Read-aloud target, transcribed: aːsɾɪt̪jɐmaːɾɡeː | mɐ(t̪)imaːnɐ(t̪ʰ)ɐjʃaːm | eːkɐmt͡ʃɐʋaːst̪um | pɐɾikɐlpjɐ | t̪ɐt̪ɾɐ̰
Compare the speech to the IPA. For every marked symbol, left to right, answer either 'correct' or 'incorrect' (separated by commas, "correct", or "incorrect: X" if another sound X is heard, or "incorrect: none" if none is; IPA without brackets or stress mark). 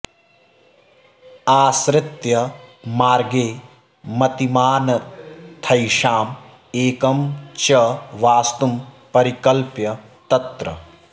correct, correct